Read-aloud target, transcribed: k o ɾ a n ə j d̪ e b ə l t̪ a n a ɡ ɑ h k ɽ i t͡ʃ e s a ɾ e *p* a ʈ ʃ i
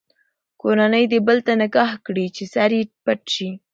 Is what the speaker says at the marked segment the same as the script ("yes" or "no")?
yes